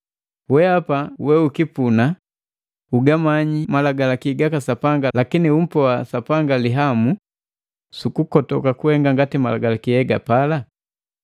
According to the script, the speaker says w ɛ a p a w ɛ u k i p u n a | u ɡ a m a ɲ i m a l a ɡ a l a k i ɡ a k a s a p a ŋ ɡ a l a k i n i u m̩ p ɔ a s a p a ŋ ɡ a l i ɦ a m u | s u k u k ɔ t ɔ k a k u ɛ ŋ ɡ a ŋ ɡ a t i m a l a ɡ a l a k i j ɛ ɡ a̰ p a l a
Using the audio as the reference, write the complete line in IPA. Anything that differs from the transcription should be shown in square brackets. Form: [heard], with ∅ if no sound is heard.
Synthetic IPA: w ɛ a p a w ɛ u k i p u n a | u ɡ a m a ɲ i m a l a ɡ a l a k i ɡ a k a s a p a ŋ ɡ a l a k i n i u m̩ p ɔ a s a p a ŋ ɡ a l i ɦ a m u | s u k u k ɔ t ɔ k a k u ɛ ŋ ɡ a ŋ ɡ a t i m a l a ɡ a l a k i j ɛ ɡ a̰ p a l a